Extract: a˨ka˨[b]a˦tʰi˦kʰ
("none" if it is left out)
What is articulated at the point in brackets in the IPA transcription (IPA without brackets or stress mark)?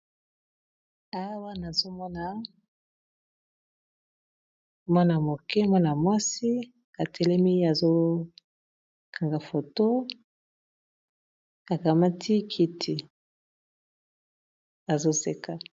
m